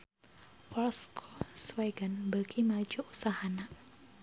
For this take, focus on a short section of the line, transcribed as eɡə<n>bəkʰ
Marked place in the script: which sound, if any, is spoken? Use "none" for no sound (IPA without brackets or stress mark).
n